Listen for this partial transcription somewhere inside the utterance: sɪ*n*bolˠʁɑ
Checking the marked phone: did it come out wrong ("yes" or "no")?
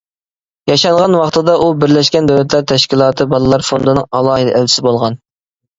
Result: yes